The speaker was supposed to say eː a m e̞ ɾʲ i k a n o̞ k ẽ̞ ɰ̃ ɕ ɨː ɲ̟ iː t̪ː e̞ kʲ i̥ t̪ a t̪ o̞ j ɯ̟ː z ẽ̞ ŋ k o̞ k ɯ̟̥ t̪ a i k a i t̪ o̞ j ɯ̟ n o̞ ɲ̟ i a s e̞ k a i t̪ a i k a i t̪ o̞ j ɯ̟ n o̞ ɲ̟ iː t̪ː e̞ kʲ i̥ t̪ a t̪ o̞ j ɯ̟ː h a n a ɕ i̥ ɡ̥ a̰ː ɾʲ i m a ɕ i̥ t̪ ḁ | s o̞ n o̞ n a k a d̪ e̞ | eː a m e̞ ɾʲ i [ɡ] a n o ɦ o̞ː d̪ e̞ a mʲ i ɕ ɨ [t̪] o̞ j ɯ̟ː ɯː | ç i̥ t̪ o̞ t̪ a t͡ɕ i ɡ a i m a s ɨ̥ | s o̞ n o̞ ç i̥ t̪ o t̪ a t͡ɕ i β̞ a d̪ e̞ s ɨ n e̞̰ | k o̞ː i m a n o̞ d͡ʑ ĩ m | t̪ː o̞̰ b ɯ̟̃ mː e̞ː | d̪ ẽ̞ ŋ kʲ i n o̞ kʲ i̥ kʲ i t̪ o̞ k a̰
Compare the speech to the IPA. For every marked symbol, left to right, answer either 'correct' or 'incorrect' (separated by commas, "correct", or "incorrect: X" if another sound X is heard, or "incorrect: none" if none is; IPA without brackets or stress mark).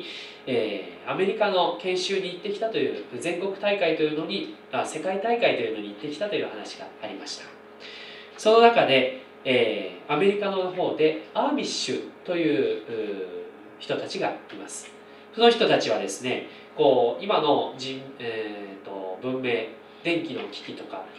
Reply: incorrect: k, correct